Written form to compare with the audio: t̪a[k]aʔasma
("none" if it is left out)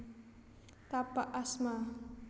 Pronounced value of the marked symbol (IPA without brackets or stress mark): p